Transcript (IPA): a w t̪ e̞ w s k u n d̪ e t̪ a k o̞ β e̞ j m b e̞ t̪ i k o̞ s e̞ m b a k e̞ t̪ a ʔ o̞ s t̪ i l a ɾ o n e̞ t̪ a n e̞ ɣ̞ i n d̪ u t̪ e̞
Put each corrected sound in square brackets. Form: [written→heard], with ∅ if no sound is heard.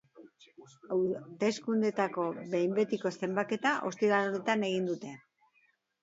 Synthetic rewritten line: a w t̪ e̞ [w→∅] s k u n d̪ e t̪ a k o̞ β e̞ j m b e̞ t̪ i k o̞ s e̞ m b a k e̞ t̪ a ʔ o̞ s t̪ i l a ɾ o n e̞ t̪ a n e̞ ɣ̞ i n d̪ u t̪ e̞